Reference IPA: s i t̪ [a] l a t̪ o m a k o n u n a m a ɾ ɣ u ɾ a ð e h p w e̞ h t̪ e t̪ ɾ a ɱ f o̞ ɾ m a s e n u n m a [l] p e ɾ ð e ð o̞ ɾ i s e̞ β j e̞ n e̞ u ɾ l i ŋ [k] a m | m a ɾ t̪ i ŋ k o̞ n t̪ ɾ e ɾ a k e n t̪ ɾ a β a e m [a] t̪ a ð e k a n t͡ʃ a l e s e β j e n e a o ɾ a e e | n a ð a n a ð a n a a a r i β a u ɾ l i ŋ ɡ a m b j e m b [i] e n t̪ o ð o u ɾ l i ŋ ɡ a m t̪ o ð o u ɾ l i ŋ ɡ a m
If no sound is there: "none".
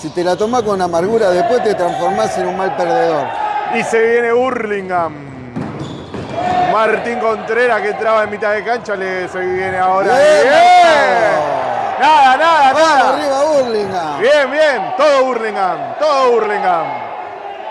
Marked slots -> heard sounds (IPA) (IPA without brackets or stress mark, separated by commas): e, l, ɡ, i, j